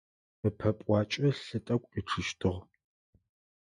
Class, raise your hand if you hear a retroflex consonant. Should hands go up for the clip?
yes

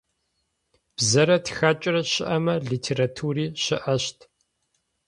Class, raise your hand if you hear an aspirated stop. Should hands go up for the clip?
yes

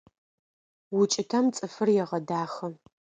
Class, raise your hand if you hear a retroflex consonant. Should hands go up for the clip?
no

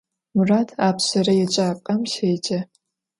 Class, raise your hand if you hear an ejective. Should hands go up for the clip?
yes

